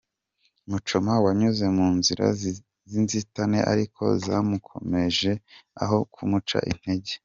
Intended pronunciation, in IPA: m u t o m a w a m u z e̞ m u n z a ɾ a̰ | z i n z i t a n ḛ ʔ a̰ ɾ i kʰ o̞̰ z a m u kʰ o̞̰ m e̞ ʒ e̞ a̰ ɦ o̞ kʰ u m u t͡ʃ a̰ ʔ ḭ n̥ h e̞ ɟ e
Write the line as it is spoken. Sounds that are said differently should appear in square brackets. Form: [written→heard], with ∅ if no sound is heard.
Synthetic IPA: m u [t→t͡ʃ] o m a w a [m→ɲ] u z e̞ m [u→uː] n z [a→i] ɾ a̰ | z i n z i t a n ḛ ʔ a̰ ɾ i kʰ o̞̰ z a m u kʰ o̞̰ m e̞ ʒ e̞ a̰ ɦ o̞ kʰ u m u t͡ʃ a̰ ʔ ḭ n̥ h e̞ ɟ e